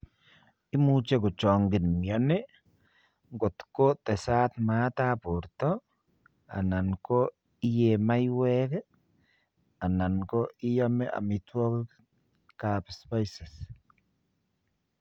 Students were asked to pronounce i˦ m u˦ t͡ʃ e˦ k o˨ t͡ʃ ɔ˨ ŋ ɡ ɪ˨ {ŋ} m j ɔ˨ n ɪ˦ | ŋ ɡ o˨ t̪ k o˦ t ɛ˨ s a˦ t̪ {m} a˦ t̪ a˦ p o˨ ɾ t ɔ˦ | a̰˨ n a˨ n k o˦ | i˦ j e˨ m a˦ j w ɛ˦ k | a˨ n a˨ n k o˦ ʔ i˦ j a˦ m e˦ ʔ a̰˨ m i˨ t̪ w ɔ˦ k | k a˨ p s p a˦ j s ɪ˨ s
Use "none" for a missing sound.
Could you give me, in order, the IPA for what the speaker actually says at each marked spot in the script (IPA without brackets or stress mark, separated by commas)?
n, m